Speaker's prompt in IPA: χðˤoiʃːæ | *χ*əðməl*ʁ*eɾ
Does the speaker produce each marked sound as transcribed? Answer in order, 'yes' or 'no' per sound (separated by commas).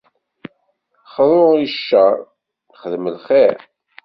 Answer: yes, no